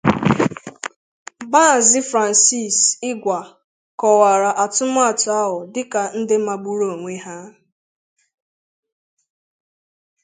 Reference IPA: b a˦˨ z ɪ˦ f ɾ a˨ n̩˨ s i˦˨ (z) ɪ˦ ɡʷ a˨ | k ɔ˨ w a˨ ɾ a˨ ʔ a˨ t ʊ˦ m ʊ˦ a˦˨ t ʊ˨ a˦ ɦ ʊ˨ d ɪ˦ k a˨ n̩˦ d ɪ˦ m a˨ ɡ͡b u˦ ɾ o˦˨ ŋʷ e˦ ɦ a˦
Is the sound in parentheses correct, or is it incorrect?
incorrect